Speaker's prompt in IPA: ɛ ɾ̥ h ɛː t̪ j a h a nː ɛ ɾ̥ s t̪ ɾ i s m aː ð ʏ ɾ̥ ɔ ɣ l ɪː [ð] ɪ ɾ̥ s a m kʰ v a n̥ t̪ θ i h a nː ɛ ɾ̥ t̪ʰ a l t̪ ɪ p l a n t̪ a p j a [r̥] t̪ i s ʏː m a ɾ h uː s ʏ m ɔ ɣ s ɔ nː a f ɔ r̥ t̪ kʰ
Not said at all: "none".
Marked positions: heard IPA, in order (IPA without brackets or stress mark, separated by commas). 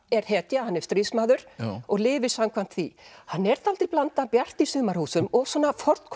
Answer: v, r̥